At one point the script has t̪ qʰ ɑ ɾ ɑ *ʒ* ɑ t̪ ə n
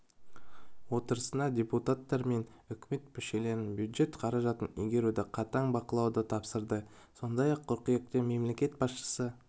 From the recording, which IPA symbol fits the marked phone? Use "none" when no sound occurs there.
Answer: ʒ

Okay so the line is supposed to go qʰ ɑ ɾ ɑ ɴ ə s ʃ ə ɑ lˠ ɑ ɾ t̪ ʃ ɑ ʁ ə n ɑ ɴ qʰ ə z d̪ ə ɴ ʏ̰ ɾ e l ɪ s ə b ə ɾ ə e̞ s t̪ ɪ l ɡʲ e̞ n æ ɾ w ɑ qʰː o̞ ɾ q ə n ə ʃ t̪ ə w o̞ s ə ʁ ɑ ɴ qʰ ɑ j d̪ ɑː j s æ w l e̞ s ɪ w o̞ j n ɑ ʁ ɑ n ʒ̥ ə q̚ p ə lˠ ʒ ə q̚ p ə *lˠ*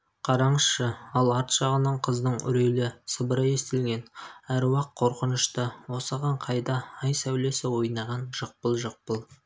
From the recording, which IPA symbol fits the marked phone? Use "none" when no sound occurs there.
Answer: lˠ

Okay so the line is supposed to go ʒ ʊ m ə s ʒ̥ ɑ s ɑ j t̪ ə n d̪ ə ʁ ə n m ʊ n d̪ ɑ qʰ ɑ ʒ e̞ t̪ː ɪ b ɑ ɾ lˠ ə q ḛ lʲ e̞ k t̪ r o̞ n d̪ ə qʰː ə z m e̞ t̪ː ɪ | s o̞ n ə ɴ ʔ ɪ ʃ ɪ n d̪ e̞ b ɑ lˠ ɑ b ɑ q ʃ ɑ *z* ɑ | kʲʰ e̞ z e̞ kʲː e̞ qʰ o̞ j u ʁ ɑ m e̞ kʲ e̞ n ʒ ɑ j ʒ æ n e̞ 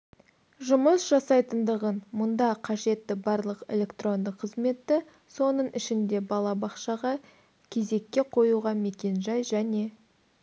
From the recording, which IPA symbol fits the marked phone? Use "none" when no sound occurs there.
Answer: ʁ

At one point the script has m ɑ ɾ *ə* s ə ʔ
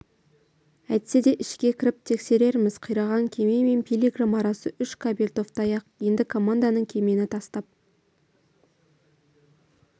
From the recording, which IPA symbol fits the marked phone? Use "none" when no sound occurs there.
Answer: ɑ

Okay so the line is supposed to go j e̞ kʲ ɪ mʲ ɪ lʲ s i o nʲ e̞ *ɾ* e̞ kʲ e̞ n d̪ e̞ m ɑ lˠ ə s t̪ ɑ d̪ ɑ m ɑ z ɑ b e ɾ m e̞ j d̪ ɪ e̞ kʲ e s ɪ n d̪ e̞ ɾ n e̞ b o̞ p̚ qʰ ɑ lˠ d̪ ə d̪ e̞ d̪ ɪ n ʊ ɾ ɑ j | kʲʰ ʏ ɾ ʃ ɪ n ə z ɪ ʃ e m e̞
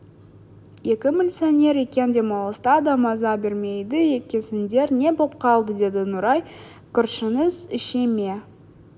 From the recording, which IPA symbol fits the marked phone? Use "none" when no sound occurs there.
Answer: ɾ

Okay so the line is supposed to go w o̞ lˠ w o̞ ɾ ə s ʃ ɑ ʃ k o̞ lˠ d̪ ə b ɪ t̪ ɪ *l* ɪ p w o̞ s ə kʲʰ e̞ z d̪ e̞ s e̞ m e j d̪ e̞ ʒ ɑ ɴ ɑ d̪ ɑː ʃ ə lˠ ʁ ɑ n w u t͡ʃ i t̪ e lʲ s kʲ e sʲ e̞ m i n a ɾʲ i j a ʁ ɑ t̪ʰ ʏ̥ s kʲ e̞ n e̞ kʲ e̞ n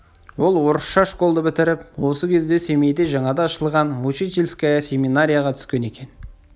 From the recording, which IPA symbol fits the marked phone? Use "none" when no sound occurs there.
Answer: ɾ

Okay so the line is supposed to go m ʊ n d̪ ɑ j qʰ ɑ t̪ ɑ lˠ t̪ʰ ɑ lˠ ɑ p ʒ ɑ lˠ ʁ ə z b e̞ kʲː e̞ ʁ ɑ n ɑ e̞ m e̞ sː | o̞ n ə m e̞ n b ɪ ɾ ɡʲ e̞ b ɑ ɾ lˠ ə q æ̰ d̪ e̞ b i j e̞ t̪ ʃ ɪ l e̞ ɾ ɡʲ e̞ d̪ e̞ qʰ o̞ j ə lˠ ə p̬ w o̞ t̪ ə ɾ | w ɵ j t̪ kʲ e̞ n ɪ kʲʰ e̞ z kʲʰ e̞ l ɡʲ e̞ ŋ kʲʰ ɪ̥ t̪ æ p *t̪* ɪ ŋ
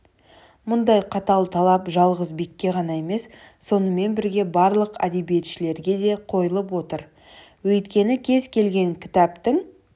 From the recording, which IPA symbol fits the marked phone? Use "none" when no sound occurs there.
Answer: t̪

